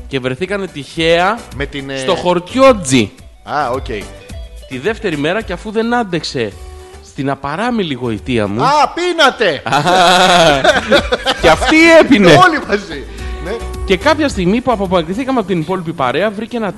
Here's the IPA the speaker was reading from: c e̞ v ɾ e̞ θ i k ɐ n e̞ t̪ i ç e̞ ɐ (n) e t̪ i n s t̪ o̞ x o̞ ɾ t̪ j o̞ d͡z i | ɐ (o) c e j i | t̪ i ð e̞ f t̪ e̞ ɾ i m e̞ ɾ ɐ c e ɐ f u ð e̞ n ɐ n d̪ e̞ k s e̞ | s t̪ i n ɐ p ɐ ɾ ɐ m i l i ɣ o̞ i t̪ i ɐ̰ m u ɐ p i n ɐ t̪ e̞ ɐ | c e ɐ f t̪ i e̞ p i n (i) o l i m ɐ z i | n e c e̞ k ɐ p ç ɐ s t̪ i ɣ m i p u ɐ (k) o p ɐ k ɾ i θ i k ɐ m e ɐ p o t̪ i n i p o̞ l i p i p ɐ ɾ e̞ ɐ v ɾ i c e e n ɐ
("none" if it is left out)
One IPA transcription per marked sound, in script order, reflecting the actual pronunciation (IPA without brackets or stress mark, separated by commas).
m, o, e, p